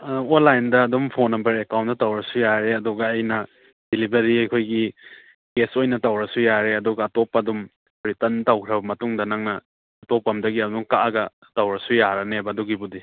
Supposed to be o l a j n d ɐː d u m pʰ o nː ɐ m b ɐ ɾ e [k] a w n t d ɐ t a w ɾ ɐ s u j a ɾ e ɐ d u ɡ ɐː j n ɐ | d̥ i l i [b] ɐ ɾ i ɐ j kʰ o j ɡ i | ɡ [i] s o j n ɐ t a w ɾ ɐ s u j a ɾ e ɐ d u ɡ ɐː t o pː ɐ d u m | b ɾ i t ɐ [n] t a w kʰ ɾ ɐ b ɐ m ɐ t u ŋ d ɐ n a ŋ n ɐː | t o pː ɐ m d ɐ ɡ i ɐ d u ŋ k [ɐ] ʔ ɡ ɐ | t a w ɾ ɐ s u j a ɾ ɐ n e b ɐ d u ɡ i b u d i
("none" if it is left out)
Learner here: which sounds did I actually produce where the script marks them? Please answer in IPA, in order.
k, b, e, n, a

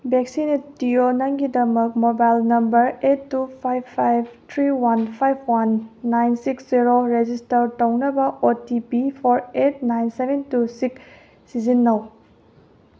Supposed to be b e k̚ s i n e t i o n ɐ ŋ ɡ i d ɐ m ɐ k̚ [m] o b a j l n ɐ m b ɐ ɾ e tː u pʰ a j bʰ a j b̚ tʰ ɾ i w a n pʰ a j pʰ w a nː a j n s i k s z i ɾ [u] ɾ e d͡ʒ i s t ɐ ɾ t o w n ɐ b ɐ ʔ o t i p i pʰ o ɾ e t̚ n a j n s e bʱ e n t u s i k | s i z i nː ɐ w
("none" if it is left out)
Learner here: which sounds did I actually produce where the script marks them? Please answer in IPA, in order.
m, o

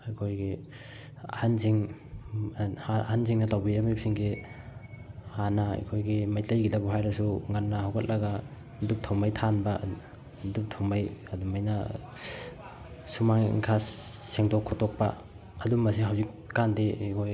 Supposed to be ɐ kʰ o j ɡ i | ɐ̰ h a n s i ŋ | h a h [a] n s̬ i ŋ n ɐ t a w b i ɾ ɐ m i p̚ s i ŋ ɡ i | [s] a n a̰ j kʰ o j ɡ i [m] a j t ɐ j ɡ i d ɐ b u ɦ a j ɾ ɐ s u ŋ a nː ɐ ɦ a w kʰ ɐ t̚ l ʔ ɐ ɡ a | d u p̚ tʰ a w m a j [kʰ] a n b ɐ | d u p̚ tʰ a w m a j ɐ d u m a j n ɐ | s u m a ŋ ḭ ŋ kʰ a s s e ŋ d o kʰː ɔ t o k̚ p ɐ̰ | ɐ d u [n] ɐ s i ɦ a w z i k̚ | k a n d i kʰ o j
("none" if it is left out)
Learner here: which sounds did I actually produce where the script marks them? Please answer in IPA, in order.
a, h, m, tʰ, m

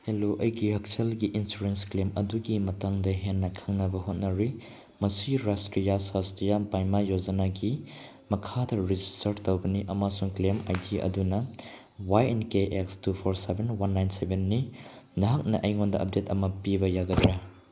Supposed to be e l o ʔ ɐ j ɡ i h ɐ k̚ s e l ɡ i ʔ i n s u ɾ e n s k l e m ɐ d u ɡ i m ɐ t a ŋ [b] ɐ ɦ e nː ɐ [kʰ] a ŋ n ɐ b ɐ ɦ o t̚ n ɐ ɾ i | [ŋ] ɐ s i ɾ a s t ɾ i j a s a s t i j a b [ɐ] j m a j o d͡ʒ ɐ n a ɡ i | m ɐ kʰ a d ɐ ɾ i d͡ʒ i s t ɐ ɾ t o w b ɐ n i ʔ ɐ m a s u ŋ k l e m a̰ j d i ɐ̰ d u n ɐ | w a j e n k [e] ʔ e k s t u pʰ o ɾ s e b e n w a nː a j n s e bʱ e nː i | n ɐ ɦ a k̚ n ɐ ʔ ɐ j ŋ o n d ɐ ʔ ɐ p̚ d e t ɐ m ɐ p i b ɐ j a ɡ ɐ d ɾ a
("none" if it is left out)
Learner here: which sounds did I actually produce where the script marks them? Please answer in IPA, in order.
d, kʰ, m, a, e

